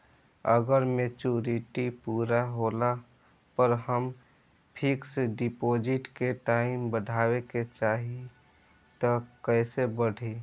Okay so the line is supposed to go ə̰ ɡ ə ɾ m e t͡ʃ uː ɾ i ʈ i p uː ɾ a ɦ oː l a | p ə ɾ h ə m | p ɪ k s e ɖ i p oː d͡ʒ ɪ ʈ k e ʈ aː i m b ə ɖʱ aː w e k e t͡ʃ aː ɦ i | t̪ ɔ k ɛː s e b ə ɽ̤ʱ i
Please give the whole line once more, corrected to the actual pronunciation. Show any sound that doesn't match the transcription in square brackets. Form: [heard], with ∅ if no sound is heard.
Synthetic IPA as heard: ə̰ ɡ ə ɾ m e t͡ʃ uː ɾ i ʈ i p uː ɾ a ɦ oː l a | p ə ɾ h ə m | [pʰ] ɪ k s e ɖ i p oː d͡ʒ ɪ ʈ k e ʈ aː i m b ə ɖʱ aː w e k e t͡ʃ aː ɦ i | t̪ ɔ k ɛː s e b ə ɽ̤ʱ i